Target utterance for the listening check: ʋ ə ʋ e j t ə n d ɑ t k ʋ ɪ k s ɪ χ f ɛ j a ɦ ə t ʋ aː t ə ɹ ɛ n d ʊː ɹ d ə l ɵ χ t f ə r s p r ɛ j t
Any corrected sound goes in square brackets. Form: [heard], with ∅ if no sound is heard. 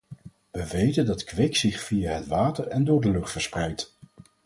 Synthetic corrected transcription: ʋ ə ʋ e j t ə n d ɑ t k ʋ ɪ k s ɪ χ f [i] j a ɦ ə t ʋ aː t ə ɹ ɛ n d ʊː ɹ d ə l ɵ χ t f ə [ɹ] s p r ɛ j t